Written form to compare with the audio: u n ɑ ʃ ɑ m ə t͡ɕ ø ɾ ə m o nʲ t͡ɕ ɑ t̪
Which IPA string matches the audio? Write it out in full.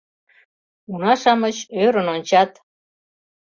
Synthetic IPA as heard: u n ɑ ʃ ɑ m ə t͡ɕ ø ɾ ə n o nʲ t͡ɕ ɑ t̪